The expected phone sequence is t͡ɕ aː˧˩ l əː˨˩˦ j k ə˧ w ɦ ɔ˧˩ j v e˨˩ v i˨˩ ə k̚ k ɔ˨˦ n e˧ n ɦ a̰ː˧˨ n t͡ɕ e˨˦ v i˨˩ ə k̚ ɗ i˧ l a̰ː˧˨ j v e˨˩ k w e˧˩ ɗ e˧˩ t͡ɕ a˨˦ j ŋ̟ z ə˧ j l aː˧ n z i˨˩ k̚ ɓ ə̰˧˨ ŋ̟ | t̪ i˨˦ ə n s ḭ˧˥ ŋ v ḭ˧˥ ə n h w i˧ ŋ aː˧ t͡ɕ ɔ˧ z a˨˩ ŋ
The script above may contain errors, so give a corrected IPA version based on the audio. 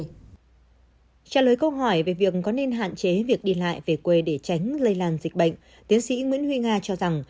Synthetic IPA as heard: t͡ɕ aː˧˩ l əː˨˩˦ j k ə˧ w ɦ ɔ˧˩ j v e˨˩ v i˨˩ ə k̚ k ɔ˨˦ n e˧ n ɦ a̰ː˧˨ n t͡ɕ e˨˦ v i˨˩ ə k̚ ɗ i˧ l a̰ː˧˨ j v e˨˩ k w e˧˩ ɗ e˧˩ t͡ɕ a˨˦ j ŋ̟ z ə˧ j l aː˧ n z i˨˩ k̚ ɓ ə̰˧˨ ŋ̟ | t̪ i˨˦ ə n s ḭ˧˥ ŋ w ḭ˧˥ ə n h w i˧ ŋ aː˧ t͡ɕ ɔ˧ z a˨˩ ŋ